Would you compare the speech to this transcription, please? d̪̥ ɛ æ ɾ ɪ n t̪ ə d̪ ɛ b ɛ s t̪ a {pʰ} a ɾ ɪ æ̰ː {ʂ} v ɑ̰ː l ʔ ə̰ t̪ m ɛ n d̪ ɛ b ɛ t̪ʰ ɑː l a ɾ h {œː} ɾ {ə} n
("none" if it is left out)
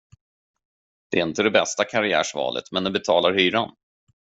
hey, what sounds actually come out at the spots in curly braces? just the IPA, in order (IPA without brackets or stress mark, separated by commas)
kʰ, ʂ, yː, a